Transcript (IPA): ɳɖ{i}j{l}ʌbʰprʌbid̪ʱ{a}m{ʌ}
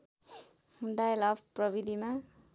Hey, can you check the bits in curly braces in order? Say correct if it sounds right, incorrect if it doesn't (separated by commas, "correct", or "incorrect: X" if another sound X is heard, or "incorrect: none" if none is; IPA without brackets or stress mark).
incorrect: a, correct, incorrect: i, incorrect: a